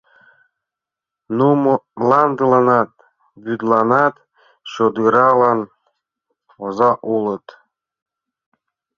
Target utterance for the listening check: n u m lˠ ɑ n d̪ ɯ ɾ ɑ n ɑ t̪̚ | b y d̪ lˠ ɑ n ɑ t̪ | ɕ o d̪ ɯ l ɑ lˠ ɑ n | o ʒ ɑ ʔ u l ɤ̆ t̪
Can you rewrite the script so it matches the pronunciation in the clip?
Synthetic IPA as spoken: n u m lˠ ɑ n d̪ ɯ l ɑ n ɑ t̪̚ | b y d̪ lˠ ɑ n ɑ t̪ | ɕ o d̪ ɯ ɾ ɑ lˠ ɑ n | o z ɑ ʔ u l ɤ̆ t̪